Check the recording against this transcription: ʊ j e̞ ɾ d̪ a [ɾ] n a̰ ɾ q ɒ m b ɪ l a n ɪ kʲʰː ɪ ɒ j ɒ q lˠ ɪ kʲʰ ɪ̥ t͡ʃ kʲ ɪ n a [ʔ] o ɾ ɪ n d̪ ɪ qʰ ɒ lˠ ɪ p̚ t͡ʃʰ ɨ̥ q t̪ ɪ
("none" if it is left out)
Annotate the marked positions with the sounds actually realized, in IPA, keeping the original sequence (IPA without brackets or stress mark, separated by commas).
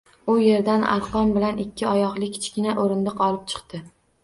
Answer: none, ʔ